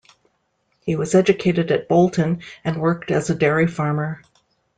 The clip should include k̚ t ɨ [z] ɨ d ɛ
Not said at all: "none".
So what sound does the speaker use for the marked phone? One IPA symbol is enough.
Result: z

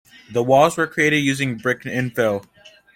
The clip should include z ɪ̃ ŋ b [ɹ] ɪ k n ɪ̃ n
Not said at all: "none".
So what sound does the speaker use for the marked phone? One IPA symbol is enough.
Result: ɹ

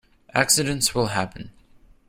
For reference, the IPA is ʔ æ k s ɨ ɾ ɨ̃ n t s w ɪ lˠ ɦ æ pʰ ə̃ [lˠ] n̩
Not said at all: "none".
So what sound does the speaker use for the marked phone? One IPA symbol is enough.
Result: none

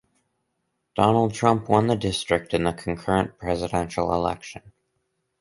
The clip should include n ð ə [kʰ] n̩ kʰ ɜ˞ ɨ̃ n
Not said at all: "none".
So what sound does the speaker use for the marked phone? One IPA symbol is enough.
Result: kʰ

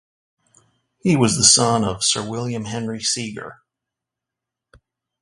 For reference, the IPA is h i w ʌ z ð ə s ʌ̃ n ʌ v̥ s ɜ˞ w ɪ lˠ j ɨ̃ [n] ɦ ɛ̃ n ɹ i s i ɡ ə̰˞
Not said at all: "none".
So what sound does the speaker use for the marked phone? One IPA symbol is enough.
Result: m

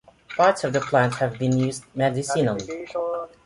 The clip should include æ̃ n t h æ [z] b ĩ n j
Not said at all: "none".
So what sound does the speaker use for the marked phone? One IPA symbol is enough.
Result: v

